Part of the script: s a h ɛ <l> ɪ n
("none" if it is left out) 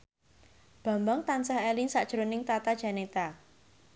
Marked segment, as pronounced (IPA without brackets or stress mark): l